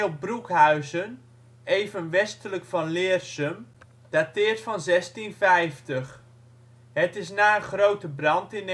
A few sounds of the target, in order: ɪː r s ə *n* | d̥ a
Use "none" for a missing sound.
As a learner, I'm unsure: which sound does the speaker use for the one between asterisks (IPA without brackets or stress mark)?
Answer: m